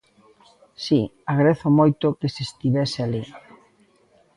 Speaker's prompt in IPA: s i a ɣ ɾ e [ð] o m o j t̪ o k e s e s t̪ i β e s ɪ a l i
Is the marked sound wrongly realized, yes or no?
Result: yes